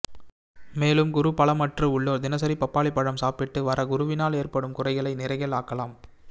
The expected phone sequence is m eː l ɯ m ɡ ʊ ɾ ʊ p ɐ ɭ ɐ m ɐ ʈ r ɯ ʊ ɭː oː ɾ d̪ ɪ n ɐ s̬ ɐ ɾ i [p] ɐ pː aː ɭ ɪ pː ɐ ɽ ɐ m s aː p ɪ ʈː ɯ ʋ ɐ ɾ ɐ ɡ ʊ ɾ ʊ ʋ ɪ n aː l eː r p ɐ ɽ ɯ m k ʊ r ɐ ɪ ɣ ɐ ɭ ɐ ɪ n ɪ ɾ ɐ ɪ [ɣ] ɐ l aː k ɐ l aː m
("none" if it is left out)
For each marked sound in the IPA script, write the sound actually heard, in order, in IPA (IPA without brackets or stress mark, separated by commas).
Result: p, ɣ